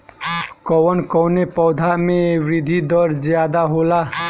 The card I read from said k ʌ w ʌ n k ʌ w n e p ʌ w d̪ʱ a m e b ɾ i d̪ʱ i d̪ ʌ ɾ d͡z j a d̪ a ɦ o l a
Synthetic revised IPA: k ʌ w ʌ n k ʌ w n e p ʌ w d̪ʱ a m e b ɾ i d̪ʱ i d̪ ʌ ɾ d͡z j a d̪ a ɦ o l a

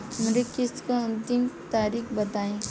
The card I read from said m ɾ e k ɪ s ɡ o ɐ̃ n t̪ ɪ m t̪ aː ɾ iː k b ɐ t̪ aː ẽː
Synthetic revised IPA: m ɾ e k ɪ s k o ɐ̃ n t̪ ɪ m t̪ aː ɾ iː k b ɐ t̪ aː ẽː

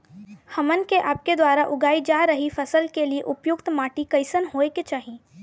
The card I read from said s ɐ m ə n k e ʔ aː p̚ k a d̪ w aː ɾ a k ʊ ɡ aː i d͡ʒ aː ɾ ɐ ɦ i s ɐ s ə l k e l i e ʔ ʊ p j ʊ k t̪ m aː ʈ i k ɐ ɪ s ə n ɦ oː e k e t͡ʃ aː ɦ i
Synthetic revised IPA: h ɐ m ə n k e ʔ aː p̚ k e d̪ w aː ɾ a ʔ ʊ ɡ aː i d͡ʒ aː ɾ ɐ ɦ i f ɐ s ə l k e l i e ʔ ʊ p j ʊ k t̪ m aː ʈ i k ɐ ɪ s ə n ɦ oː e k e t͡ʃ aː ɦ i

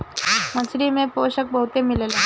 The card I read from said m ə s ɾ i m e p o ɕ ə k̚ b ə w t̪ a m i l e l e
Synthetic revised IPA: m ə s ɾ i m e p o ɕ ə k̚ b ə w t̪ e m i l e l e

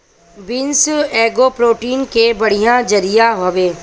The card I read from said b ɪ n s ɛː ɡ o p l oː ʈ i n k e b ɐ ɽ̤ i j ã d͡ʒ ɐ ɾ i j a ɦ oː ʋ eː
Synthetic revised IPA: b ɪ n s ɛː ɡ o p ɾ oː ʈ iː n k e b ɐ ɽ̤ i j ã d͡ʒ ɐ ɾ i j a ɦ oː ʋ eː

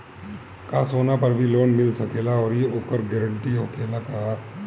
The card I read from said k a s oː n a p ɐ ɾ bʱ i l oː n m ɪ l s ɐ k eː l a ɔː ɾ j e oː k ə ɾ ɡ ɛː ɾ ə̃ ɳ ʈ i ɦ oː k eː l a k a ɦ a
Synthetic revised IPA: k a s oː n a p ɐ ɾ bʱ i l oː n m ɪ l s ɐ k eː l a ɔː ɾ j e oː k ə ɾ ɡ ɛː ɾ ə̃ ɳ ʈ i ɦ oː k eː l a k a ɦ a

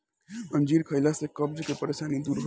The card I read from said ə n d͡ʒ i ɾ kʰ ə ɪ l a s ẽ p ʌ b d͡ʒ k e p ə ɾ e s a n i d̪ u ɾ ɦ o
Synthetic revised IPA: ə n d͡ʒ i ɾ kʰ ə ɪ l a s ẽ k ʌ b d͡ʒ k e p ə ɾ e s a n i d̪ u ɾ ɦ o

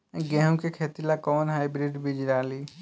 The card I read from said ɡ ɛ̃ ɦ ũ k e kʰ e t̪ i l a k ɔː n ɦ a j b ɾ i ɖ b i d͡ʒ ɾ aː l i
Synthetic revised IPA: ɡ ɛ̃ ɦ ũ k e kʰ e t̪ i l a k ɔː n ɦ a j b ɾ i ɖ b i d͡ʒ ɾ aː l i

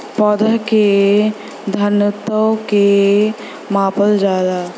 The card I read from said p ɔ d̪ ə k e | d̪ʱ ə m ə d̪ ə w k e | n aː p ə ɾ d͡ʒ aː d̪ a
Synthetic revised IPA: p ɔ d̪ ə k e | d̪ʱ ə n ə t̪ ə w k e | m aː p ə l d͡ʒ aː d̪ a

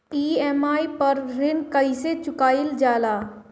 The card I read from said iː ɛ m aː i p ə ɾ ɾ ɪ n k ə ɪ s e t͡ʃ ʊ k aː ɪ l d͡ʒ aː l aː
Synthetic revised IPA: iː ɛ m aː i p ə ɾ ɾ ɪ n k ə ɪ s e t͡ʃ ʊ k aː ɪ l d͡ʒ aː l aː

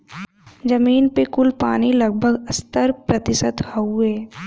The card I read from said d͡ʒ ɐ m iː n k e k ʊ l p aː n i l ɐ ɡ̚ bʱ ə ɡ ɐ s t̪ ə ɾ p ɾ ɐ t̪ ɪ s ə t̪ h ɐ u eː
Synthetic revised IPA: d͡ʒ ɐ m iː n p e k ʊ l p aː n i l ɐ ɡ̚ bʱ ə ɡ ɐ s t̪ ə ɾ p ɾ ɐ t̪ ɪ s ə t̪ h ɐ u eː

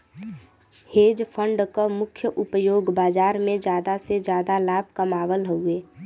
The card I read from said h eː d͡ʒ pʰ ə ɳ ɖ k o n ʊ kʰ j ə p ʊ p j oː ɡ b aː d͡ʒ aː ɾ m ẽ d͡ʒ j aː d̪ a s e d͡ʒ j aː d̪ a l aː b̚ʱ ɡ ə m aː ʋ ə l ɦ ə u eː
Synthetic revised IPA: h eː d͡ʒ pʰ ə ɳ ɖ k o m ʊ kʰ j ə ʔ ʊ p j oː ɡ b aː d͡ʒ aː ɾ m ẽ d͡ʒ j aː d̪ a s e d͡ʒ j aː d̪ a l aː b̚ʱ k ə m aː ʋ ə l ɦ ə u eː

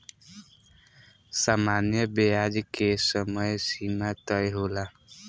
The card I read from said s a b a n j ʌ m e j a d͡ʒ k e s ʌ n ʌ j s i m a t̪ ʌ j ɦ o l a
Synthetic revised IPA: s a m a n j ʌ b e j a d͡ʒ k e s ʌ m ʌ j s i m a t̪ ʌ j ɦ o l a

